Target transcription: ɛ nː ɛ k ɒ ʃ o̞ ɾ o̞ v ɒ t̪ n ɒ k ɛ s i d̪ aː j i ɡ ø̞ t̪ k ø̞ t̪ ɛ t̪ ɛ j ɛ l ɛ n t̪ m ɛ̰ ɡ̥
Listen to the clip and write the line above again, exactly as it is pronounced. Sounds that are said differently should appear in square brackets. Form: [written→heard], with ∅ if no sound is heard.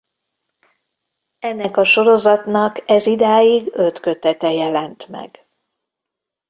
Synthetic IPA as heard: ɛ nː ɛ k ɒ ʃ o̞ ɾ o̞ [v→z] ɒ t̪ n ɒ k ɛ [s→z] i d̪ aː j i ɡ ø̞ t̪ k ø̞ t̪ ɛ t̪ ɛ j ɛ l ɛ n t̪ m ɛ̰ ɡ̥